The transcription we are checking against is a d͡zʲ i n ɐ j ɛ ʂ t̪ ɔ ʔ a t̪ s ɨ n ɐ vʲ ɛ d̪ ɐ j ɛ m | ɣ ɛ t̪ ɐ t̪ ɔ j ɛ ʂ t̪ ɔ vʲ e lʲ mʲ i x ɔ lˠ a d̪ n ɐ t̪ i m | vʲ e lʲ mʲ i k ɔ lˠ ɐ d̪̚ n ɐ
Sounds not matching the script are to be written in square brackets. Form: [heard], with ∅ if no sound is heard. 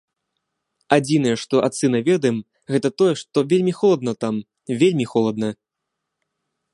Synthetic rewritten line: a d͡zʲ i n ɐ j ɛ ʂ t̪ ɔ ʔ a t̪ s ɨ n ɐ vʲ ɛ d̪ ɐ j ɛ m | ɣ ɛ t̪ ɐ t̪ ɔ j ɛ ʂ t̪ ɔ vʲ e lʲ mʲ i x ɔ lˠ [ɐ] d̪ n ɐ t̪ [a] m | vʲ e lʲ mʲ i [x] ɔ lˠ ɐ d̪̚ n ɐ